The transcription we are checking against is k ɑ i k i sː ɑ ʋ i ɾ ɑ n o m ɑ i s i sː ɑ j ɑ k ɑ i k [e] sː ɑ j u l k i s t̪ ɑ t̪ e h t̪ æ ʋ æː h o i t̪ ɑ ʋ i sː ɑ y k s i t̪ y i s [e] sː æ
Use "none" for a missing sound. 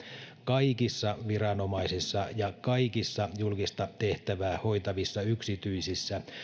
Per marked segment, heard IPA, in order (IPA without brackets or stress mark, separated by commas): i, i